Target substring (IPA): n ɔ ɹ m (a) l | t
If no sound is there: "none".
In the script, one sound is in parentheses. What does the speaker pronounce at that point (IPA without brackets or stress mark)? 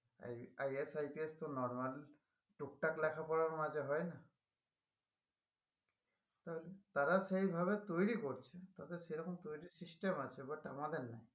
a